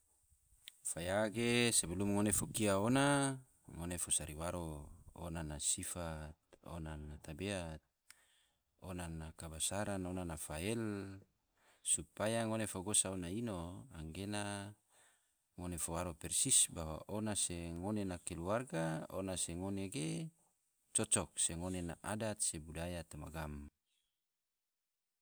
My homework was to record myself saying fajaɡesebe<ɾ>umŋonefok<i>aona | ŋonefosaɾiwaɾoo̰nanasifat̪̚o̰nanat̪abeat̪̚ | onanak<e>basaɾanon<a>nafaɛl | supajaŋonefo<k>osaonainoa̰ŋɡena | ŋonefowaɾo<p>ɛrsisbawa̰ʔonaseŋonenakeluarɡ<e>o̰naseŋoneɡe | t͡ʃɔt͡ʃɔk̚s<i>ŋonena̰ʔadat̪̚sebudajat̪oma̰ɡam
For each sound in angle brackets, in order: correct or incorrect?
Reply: incorrect: l, correct, incorrect: a, correct, incorrect: ɡ, correct, incorrect: a, incorrect: e

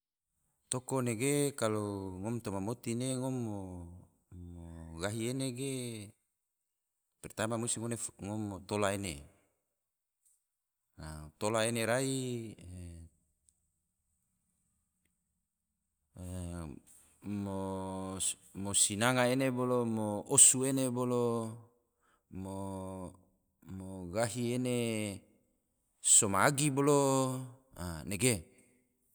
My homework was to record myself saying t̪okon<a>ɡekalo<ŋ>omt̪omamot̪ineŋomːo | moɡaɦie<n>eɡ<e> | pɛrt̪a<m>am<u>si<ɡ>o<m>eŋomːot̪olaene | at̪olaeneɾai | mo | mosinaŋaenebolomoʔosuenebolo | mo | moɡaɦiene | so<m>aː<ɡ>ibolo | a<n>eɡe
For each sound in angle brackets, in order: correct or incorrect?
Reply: incorrect: e, correct, correct, correct, correct, correct, incorrect: ŋ, incorrect: n, correct, correct, correct

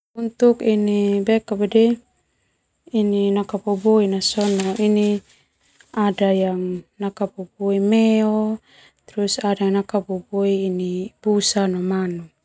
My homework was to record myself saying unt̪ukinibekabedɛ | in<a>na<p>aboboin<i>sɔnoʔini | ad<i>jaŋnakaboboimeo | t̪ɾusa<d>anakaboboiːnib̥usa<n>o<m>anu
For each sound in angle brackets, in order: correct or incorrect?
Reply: incorrect: i, incorrect: k, incorrect: a, incorrect: a, correct, correct, correct

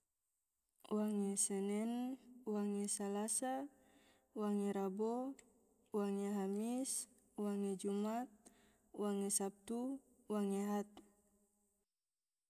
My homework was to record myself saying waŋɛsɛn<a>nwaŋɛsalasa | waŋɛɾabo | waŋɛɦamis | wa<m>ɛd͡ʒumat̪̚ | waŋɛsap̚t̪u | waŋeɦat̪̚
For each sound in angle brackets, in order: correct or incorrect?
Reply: incorrect: ɛ, incorrect: ŋ

